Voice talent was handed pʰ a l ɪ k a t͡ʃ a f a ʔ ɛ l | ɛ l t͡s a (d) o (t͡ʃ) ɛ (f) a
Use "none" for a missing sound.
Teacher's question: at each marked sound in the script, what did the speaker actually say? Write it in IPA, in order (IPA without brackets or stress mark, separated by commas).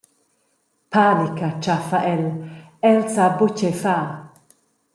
b, t͡ʃ, f